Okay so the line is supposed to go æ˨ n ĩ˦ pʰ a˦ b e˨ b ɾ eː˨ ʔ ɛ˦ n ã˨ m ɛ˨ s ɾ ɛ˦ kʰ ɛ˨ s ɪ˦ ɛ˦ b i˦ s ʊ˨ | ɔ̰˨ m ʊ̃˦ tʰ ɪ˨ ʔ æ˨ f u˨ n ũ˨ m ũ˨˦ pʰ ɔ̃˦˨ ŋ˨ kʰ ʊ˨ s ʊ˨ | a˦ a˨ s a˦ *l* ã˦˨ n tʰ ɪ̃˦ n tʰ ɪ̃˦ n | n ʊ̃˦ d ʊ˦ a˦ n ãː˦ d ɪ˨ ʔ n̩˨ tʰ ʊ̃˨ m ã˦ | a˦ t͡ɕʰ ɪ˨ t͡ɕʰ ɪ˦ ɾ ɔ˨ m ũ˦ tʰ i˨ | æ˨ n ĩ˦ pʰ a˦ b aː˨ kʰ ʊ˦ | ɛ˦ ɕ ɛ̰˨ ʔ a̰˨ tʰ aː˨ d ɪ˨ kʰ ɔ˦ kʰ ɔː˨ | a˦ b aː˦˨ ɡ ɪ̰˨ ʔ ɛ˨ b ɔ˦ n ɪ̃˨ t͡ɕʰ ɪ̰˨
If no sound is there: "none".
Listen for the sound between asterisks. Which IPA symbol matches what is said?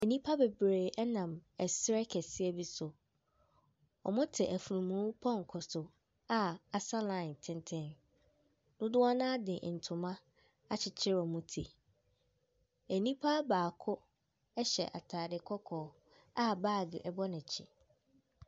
l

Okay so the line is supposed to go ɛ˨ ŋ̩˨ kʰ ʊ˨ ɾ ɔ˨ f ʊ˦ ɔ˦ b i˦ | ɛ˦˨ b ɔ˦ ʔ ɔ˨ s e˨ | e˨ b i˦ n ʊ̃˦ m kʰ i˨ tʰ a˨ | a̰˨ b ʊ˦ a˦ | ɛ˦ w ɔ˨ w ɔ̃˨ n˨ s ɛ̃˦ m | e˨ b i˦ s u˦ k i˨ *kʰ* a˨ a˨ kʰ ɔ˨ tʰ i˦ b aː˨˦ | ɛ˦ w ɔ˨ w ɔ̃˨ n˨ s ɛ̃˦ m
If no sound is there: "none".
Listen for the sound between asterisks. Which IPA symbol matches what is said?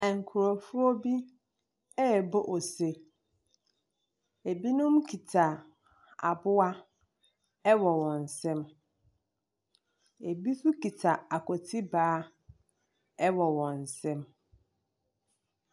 tʰ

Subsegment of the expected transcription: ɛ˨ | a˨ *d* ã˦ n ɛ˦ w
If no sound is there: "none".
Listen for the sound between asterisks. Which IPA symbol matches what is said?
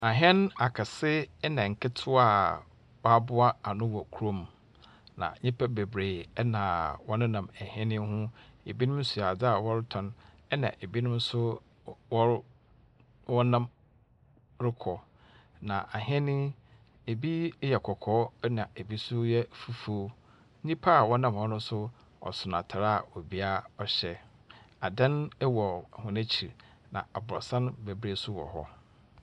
d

